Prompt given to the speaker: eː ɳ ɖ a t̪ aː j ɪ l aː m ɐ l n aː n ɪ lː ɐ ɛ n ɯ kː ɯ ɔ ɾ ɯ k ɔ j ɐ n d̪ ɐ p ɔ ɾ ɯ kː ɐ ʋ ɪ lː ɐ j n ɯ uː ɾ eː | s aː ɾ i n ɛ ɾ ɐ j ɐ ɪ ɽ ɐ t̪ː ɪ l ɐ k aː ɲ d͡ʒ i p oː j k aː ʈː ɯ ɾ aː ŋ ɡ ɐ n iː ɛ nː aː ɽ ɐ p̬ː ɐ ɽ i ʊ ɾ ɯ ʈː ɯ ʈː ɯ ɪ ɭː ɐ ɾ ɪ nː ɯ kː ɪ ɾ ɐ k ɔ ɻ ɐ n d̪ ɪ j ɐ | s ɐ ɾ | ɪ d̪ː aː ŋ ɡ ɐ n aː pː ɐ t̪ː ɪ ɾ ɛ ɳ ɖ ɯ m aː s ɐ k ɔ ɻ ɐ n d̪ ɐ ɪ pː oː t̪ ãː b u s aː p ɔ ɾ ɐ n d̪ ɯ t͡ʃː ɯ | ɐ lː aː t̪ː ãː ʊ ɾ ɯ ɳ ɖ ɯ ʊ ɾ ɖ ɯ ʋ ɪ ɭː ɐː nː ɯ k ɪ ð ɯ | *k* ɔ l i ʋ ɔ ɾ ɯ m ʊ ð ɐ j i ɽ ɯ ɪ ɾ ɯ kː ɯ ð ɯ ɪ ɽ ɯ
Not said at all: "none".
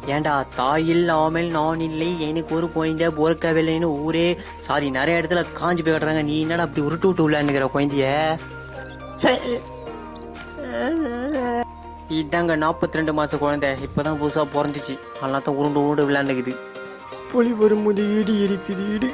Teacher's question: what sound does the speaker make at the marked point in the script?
p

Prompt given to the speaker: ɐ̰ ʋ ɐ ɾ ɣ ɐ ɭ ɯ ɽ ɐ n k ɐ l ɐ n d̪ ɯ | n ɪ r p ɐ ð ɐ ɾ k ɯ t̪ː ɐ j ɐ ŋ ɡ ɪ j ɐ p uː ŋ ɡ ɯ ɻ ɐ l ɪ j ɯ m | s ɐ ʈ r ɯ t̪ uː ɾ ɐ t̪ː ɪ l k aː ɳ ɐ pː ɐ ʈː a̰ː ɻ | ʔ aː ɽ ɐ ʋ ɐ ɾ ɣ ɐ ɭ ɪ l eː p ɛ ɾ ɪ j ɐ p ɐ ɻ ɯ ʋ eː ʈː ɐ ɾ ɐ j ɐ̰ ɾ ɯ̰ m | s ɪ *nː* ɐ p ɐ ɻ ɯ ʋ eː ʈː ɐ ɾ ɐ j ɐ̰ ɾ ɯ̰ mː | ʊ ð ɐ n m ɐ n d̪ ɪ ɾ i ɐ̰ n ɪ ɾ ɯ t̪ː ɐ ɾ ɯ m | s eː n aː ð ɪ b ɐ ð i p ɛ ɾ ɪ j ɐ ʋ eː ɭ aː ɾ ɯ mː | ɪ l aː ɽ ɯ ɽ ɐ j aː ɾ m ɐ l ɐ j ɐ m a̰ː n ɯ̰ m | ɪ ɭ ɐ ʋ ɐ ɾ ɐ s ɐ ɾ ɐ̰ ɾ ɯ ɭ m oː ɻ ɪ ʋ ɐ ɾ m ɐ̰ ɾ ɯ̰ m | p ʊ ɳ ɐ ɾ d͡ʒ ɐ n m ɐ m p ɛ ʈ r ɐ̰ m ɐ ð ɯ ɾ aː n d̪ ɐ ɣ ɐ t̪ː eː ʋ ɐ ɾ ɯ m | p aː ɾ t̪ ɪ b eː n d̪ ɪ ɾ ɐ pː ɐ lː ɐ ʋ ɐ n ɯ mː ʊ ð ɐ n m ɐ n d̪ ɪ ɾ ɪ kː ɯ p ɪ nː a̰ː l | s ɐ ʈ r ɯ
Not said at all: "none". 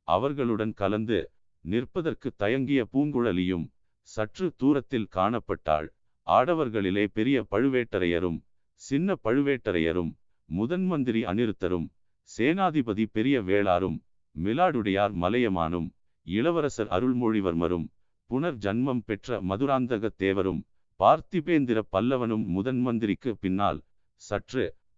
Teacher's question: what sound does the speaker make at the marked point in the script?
nː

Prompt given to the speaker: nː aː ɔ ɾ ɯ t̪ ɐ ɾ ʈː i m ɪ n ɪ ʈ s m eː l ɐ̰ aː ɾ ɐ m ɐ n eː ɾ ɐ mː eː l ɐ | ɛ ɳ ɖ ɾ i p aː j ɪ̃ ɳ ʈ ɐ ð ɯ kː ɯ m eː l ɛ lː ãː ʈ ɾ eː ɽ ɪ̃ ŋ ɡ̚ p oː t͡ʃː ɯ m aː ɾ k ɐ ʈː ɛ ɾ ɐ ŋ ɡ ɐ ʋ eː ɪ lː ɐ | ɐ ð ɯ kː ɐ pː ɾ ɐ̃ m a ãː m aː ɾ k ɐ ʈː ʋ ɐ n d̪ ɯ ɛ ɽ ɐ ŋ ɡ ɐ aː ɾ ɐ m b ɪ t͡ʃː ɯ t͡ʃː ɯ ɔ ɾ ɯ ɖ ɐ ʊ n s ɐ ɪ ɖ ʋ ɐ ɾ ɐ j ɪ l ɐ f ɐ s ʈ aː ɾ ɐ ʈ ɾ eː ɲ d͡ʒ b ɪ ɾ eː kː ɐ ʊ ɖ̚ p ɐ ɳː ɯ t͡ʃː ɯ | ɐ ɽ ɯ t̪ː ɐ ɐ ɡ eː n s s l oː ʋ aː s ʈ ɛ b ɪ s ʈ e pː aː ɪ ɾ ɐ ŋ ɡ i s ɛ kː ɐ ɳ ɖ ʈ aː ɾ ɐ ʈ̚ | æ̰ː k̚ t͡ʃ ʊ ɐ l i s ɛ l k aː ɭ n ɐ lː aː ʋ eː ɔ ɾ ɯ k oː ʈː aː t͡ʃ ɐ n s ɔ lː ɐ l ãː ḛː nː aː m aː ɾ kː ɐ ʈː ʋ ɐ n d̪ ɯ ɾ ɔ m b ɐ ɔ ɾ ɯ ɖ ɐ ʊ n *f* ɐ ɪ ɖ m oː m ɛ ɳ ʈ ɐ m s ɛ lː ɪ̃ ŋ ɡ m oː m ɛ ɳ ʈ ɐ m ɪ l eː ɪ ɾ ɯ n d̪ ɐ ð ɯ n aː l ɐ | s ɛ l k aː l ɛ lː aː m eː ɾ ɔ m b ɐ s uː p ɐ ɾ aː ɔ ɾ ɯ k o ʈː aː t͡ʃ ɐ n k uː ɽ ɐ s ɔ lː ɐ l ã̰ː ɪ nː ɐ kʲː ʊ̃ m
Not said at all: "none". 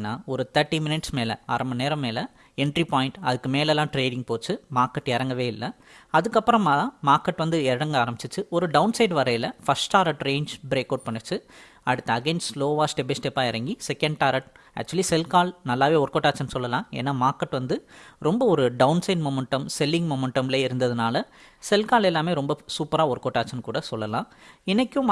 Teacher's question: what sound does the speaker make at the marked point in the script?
s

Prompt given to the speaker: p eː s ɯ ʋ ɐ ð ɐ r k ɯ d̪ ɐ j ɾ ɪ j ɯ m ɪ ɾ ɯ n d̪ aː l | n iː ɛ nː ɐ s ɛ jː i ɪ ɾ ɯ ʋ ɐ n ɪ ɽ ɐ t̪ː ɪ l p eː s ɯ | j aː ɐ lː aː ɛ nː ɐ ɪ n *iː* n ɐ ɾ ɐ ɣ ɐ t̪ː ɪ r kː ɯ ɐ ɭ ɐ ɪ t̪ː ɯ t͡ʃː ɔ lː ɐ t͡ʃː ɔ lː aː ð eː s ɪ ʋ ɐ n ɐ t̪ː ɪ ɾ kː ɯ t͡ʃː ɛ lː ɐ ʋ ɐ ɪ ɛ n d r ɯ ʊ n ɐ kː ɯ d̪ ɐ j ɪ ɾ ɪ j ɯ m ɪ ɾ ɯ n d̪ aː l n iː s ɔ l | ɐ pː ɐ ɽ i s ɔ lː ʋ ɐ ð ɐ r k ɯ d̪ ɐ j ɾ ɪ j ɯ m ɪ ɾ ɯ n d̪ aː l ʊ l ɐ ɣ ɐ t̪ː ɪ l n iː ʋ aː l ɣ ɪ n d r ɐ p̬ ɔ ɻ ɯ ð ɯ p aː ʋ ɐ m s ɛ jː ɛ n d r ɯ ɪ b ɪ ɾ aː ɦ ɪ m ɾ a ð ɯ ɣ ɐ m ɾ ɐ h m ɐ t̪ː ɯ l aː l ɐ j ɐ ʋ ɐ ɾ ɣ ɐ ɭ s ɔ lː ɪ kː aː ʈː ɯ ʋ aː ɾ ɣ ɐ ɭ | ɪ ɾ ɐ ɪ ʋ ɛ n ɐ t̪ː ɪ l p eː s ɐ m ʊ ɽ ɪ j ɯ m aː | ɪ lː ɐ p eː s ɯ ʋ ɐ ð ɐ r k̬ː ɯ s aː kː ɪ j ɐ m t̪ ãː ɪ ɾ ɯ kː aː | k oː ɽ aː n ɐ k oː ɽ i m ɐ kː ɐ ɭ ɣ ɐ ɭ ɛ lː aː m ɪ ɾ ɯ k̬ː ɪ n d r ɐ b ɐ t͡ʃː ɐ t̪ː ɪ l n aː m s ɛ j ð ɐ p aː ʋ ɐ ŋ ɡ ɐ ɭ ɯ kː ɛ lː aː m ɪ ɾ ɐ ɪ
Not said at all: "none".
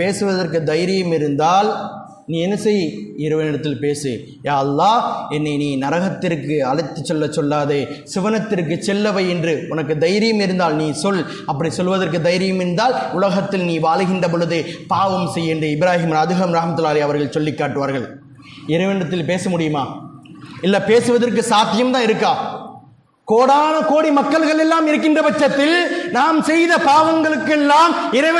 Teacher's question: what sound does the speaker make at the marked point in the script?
iː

